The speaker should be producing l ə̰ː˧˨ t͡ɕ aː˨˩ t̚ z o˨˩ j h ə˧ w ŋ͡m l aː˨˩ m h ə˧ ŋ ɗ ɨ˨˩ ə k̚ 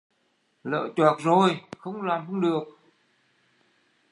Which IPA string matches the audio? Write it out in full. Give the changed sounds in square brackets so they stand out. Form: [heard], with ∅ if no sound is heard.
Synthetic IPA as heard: l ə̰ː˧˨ t͡ɕ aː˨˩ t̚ z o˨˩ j [x] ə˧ w ŋ͡m l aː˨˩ m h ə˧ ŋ ɗ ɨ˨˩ ə k̚